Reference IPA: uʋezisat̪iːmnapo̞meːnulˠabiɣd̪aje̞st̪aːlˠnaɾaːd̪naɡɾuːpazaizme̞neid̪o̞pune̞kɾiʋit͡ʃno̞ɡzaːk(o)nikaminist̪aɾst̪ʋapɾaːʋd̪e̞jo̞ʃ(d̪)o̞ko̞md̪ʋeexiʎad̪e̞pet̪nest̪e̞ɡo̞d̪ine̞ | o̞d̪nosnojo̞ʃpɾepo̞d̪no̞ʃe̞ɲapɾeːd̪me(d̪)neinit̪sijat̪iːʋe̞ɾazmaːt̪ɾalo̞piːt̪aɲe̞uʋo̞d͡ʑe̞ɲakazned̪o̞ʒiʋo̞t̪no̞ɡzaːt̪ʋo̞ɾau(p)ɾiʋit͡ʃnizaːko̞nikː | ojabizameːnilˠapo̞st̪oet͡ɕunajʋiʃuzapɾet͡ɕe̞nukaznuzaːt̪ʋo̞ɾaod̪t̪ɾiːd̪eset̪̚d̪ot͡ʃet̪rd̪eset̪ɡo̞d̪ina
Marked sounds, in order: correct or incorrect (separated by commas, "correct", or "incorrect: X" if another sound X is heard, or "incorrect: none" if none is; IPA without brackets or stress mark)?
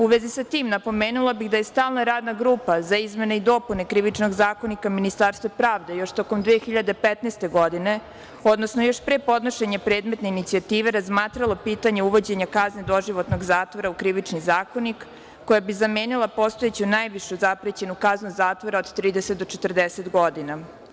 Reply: correct, incorrect: t̪, incorrect: t̪, incorrect: k